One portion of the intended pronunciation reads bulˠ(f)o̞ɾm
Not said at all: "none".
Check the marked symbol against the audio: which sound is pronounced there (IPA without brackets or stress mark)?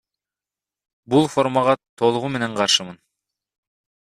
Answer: f